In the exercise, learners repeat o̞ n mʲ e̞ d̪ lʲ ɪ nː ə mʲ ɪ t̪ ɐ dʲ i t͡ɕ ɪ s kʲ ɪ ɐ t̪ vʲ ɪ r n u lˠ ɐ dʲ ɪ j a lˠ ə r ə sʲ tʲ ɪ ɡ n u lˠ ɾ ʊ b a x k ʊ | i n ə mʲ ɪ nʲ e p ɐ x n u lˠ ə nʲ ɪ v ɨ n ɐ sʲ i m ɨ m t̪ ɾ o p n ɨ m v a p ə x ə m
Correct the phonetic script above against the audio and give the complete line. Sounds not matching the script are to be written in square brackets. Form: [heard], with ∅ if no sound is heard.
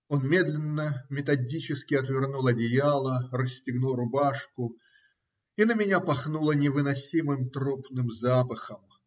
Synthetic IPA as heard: o̞ n mʲ e̞ d̪ lʲ ɪ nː ə mʲ ɪ t̪ ɐ dʲ i t͡ɕ ɪ s kʲ ɪ ɐ t̪ vʲ ɪ r n u lˠ ɐ dʲ ɪ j a lˠ ə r ə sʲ tʲ ɪ ɡ n u lˠ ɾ ʊ b a [ʂ] k ʊ | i n ə mʲ ɪ nʲ [a] p ɐ x n u lˠ ə nʲ ɪ v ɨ n ɐ sʲ i m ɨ m t̪ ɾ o p n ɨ m [z] a p ə x ə m